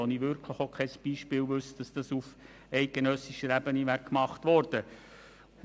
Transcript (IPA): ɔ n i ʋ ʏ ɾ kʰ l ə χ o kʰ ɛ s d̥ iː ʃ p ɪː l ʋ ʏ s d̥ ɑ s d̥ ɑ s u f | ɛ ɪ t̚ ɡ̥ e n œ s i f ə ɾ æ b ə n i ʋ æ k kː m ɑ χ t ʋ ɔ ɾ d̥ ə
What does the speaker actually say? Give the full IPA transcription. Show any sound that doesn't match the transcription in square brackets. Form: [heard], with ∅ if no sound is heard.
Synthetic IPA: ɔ n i ʋ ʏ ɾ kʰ l ə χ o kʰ ɛ s [b̥] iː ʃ p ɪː l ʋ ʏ s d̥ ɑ s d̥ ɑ s u f | ɛ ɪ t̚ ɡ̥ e n œ s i [ʃ] ə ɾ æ b ə n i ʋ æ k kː m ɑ χ t ʋ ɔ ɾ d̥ ə